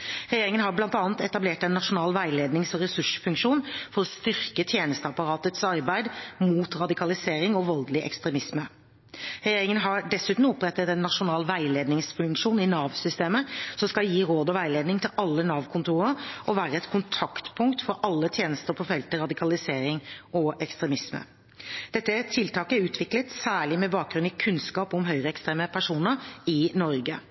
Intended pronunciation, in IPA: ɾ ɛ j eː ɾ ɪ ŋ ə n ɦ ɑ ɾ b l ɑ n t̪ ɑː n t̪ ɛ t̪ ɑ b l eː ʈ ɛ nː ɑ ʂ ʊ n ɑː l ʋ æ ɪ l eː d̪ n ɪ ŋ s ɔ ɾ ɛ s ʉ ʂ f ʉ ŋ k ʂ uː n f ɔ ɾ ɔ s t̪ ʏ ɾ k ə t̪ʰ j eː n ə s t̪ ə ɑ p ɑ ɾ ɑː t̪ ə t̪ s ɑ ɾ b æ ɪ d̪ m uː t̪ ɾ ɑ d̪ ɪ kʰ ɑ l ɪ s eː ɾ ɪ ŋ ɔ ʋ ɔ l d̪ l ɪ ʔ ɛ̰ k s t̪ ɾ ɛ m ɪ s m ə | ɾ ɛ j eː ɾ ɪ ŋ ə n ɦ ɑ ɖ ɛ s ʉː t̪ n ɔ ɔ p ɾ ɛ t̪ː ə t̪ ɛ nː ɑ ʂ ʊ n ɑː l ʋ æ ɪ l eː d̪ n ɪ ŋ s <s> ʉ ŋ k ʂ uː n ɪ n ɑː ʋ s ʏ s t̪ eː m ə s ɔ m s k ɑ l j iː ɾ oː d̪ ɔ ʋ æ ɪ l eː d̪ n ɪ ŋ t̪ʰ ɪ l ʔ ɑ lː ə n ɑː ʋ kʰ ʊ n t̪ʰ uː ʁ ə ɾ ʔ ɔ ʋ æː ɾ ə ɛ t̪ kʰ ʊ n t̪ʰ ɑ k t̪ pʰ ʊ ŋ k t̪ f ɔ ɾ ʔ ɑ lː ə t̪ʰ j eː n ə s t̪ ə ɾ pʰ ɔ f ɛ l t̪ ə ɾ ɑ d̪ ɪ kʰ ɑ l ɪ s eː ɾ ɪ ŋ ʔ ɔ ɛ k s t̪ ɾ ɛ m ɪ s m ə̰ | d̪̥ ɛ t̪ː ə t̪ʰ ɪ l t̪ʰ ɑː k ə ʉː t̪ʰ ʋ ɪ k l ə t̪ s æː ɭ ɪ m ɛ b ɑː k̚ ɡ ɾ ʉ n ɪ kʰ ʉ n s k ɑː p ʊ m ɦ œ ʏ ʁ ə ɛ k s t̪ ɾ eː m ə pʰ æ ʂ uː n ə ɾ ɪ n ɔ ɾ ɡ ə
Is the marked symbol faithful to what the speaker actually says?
no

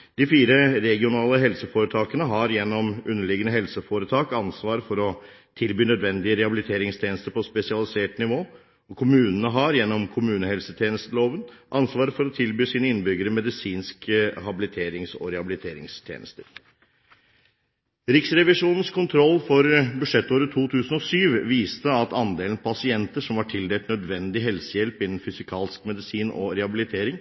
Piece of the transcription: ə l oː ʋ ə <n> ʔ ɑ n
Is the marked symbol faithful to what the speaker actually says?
yes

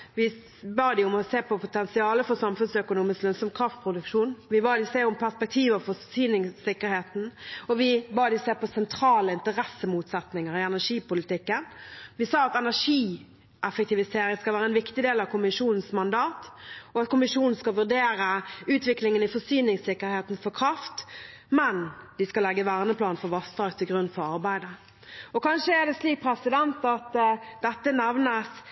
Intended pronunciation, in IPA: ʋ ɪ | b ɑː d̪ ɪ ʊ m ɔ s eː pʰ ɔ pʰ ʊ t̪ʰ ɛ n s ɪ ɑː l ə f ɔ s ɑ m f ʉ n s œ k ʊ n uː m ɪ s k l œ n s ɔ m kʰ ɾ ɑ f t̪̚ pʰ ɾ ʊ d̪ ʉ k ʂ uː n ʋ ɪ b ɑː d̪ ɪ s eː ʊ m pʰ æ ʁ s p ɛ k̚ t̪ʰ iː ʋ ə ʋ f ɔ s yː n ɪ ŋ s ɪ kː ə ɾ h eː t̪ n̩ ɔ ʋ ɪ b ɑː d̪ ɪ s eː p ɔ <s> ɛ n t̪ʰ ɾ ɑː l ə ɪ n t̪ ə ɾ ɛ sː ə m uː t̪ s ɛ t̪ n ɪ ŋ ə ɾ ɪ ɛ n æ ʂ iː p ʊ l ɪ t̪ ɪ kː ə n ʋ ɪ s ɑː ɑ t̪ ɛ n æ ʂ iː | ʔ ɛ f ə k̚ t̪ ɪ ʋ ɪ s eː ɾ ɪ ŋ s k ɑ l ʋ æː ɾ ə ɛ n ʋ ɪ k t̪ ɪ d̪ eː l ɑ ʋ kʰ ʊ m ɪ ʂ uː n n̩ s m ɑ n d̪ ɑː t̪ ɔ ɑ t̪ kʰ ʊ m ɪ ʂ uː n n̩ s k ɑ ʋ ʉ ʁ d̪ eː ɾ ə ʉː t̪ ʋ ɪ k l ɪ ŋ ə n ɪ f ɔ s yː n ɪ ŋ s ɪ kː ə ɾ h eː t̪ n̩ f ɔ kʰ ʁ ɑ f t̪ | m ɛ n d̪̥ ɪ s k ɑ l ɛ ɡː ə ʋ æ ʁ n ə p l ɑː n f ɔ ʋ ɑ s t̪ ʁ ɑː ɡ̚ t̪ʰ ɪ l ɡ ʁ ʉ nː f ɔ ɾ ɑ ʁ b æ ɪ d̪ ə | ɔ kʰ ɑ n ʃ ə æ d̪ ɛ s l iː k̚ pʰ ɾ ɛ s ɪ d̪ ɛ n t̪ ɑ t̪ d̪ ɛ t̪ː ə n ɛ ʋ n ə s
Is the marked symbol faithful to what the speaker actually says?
yes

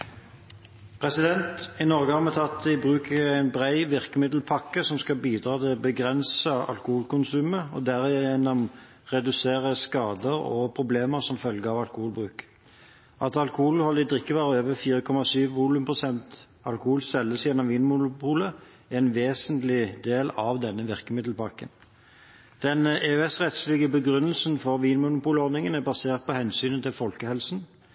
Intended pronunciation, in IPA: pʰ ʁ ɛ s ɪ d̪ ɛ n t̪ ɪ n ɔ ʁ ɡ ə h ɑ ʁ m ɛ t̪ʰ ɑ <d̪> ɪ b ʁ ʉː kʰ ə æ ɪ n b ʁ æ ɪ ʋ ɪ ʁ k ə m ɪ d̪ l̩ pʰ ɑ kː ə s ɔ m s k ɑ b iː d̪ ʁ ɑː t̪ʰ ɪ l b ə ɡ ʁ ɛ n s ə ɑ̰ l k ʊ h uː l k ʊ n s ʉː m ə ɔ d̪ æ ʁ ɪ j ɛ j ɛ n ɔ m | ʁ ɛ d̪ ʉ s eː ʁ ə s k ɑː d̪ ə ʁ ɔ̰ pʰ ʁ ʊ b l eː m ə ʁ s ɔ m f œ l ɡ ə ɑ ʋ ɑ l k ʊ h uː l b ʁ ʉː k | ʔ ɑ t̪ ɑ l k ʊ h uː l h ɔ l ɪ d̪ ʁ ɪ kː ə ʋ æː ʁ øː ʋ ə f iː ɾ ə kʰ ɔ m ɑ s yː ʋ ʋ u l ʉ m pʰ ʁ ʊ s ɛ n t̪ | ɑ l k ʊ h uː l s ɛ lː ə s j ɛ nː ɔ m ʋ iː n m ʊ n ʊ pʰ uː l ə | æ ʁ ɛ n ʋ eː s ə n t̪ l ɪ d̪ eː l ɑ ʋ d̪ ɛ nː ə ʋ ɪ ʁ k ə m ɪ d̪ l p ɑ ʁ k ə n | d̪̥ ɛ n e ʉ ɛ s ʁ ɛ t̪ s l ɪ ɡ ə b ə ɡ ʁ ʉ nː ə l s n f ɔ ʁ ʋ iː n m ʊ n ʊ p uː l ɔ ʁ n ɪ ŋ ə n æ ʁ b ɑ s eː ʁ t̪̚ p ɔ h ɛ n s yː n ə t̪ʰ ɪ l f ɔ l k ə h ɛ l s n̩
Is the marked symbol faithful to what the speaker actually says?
no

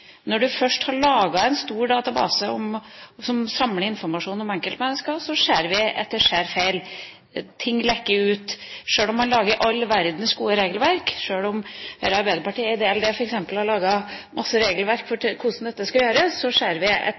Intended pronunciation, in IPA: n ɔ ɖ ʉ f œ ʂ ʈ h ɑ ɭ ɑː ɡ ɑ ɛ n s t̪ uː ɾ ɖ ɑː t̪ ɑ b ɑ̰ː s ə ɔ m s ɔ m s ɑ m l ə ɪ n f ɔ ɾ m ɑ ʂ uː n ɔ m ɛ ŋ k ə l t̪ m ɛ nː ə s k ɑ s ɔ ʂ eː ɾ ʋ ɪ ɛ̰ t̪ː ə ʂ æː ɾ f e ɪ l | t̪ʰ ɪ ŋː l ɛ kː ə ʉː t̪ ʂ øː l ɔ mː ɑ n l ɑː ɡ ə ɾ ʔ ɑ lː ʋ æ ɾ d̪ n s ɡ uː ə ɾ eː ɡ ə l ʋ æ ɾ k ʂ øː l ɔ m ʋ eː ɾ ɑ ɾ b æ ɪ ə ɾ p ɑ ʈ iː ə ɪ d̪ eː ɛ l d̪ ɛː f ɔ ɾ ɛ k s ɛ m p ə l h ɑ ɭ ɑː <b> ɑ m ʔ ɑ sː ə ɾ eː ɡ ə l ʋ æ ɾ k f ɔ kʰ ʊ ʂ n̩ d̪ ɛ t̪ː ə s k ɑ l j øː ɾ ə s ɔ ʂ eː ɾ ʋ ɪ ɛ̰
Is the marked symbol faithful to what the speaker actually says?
no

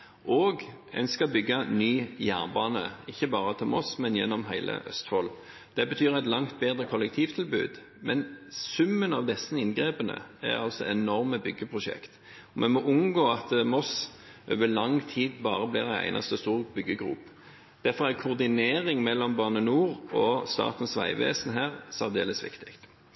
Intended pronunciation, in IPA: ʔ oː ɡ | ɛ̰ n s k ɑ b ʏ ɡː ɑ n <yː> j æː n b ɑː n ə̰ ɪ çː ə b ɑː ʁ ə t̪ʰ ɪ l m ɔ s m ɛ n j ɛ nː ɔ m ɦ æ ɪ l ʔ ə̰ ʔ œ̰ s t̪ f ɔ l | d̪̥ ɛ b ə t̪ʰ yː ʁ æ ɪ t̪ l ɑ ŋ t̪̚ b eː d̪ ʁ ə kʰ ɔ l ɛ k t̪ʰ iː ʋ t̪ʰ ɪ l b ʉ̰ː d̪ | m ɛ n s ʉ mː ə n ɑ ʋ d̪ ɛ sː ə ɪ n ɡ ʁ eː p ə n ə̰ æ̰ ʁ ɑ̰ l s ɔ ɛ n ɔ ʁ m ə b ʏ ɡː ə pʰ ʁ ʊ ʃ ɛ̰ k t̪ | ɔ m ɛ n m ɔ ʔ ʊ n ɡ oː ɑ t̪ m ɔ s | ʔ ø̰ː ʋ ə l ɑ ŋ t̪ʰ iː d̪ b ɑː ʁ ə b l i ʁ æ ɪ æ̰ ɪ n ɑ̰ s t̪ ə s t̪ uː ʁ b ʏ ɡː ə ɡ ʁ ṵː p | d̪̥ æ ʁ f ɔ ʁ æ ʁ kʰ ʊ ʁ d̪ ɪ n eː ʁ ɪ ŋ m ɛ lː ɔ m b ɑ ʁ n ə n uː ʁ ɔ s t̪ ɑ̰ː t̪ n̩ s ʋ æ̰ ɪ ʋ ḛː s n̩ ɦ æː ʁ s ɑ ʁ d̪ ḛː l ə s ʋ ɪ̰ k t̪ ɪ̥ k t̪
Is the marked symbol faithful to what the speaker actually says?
yes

